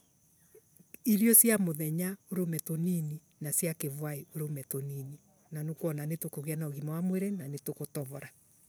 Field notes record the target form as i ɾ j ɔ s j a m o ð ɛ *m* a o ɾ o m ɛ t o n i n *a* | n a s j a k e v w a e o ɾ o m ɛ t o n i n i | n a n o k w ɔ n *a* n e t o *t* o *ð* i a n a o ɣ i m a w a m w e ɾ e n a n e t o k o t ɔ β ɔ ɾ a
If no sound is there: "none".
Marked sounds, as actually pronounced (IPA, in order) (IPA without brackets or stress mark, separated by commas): ɲ, i, a, k, ɣ